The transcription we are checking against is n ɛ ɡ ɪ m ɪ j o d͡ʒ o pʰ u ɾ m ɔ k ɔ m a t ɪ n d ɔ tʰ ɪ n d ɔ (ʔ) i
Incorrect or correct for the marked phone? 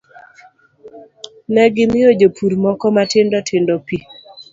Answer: incorrect: p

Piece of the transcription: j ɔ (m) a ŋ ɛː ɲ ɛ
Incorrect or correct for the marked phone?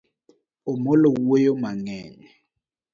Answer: correct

